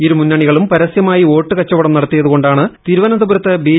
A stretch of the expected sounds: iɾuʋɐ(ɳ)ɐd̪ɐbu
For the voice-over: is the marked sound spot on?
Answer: no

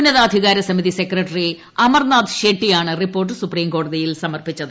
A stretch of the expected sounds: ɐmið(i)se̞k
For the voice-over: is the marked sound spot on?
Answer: yes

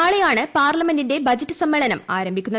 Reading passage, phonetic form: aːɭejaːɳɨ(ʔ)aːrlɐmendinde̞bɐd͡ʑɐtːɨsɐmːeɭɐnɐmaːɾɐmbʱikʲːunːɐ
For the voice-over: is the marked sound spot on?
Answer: no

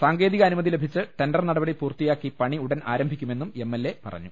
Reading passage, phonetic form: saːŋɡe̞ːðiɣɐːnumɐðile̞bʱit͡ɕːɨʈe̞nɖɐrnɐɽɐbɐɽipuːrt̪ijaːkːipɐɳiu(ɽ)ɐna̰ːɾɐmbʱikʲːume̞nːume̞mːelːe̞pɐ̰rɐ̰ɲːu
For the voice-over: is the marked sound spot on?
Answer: yes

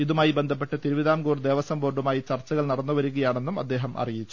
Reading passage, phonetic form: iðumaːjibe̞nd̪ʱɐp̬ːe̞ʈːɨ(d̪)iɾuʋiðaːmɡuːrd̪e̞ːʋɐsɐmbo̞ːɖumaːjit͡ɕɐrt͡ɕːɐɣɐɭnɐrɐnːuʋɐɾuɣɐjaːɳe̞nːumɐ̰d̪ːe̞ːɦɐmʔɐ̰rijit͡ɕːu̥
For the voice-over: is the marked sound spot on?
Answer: no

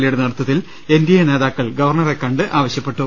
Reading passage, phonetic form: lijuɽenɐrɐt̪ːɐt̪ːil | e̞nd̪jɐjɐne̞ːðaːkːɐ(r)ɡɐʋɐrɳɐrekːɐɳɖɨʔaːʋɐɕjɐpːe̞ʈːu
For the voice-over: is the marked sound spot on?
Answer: no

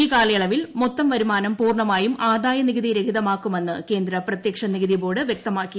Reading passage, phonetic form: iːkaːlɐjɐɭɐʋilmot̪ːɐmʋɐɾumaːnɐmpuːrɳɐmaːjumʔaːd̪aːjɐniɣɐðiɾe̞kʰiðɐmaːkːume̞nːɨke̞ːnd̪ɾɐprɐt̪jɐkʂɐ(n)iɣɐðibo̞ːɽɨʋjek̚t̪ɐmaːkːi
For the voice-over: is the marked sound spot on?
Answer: yes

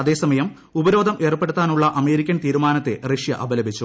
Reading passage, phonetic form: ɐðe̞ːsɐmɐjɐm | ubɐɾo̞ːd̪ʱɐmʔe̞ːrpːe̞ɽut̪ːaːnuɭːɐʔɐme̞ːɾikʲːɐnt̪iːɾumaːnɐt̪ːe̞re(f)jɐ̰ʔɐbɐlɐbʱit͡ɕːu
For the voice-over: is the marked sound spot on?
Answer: no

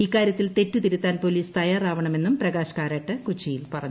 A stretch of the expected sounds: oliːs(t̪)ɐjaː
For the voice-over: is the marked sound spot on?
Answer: yes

